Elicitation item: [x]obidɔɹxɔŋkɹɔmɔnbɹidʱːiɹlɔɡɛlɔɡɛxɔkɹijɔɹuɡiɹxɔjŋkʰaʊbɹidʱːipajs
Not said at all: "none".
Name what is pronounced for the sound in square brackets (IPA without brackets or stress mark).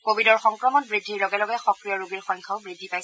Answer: k